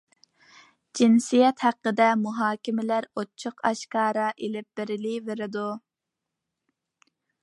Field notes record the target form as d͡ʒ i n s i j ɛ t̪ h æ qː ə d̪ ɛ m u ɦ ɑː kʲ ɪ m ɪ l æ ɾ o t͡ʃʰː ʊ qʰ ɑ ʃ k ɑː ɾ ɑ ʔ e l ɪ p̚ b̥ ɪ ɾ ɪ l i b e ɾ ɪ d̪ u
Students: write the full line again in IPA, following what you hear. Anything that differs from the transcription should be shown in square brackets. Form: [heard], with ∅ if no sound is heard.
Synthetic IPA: d͡ʒ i n s i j ɛ t̪ h æ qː ə d̪ ɛ m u ɦ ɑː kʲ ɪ m ɪ l æ ɾ o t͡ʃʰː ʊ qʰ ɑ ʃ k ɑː ɾ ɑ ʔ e l ɪ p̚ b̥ ɪ ɾ ɪ l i [v] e ɾ ɪ d̪ u